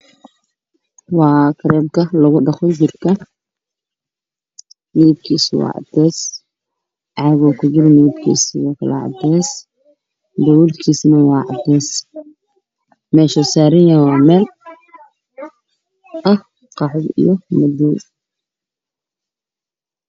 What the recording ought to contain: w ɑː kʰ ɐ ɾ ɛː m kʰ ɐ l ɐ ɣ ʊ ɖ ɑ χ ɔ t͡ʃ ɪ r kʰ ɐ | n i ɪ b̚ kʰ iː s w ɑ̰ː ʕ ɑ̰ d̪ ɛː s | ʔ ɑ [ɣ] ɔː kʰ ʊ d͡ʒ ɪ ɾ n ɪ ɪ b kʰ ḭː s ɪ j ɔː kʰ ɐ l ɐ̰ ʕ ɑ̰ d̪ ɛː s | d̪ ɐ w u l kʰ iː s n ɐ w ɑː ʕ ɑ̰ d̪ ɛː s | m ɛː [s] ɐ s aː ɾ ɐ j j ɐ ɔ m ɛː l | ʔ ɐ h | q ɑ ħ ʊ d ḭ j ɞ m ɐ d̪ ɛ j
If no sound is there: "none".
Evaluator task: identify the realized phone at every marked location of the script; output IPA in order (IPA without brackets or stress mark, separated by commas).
ɣ, ʃ